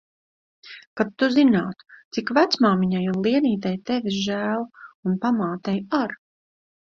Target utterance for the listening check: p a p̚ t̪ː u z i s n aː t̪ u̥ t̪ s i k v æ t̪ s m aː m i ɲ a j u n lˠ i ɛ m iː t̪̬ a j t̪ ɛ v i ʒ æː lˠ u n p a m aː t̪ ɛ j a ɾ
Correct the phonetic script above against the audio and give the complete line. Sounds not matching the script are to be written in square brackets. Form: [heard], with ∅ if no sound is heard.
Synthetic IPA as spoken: [k] a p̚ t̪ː u z i [∅] n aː t̪ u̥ t̪ s i k v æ t̪ s m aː m i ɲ a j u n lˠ i ɛ [n] iː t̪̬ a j t̪ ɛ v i ʒ æː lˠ u n p a m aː t̪ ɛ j a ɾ